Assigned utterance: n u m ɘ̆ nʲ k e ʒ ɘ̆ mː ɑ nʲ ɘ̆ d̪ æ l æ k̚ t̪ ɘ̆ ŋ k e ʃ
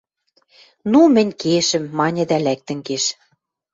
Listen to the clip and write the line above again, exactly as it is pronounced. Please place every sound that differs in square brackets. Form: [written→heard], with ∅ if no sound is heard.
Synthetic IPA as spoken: n u m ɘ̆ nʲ k e [ʒ→ʃ] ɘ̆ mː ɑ nʲ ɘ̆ d̪ æ l æ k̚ t̪ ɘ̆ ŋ k e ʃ